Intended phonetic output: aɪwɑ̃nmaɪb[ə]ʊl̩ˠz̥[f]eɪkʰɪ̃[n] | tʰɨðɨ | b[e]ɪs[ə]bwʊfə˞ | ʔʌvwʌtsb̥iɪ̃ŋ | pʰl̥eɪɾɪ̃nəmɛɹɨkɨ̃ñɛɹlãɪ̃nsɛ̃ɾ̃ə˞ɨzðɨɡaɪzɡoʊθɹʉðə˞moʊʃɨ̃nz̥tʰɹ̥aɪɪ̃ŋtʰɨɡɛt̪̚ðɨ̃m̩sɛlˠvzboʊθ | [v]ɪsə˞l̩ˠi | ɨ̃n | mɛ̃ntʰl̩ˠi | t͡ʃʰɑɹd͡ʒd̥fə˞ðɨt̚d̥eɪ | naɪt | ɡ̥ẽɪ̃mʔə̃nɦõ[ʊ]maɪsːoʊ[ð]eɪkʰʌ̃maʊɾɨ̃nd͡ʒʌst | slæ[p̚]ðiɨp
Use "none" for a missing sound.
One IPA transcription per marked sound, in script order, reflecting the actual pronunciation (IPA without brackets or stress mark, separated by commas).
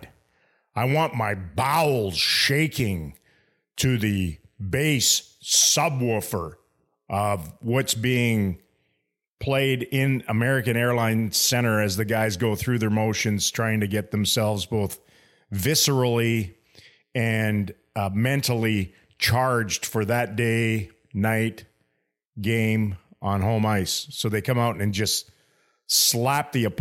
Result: a, ʃ, ŋ, e, ʌ, v, ʊ̃, ð, p̚